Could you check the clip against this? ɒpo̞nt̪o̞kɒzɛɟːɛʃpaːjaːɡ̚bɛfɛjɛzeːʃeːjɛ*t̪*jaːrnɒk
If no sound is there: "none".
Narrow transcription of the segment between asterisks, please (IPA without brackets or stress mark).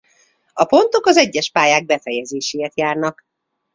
t̪